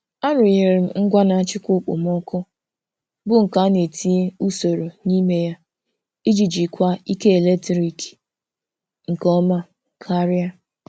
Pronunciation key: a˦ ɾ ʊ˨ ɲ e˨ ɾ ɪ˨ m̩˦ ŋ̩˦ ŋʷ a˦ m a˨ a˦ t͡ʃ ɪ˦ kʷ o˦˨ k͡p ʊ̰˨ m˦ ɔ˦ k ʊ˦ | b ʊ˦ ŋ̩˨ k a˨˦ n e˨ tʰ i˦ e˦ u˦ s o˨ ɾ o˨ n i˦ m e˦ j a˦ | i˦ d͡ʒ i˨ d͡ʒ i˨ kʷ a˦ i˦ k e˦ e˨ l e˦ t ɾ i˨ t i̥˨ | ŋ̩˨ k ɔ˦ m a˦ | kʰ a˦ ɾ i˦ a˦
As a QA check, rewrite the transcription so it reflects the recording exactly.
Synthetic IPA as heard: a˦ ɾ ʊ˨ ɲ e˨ ɾ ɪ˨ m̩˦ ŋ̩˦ ɡʷ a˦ n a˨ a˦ t͡ʃ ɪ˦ kʷ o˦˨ k͡p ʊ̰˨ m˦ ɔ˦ k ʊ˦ | b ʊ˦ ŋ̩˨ k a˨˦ n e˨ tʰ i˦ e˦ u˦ s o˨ ɾ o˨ n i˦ m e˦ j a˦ | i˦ d͡ʒ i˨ d͡ʒ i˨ kʷ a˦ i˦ k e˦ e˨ l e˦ t ɾ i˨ k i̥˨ | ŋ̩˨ k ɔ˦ m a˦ | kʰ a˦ ɾ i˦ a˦